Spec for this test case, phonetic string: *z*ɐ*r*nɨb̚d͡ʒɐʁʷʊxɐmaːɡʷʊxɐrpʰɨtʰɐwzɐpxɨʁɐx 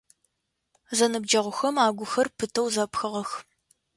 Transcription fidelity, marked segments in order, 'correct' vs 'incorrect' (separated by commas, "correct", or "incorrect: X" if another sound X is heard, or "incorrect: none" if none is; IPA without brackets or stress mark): correct, incorrect: none